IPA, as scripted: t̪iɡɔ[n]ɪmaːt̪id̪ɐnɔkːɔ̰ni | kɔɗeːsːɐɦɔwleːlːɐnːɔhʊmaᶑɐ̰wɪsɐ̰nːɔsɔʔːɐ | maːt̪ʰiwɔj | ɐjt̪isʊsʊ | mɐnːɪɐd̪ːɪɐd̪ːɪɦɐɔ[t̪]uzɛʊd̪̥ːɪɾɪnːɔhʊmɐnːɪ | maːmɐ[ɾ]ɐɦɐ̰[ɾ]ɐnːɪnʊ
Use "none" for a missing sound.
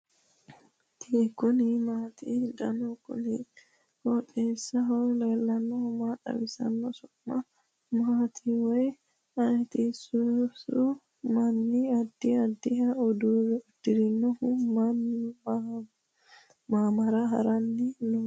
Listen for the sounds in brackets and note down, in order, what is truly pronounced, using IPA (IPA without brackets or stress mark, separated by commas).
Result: n, d̪, ɾ, ɾ